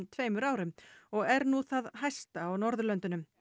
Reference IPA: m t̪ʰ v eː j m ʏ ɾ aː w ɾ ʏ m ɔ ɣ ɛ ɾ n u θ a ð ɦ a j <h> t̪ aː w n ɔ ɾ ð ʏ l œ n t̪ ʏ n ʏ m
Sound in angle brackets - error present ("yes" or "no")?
yes